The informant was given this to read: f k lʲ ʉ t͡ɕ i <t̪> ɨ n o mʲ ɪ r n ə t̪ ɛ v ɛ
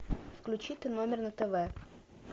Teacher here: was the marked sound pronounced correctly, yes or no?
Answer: yes